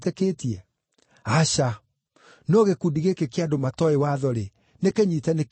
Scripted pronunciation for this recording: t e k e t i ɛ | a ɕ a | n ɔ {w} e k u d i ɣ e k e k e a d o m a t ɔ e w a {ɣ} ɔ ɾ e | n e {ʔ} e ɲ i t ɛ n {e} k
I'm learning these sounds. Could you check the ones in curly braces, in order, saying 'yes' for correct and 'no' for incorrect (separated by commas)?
no, no, no, yes